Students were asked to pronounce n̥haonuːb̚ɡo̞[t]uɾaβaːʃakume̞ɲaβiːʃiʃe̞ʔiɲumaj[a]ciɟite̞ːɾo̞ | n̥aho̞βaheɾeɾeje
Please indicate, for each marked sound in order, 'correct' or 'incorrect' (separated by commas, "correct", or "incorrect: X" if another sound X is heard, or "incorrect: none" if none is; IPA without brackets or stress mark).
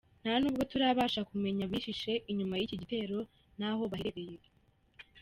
correct, incorrect: i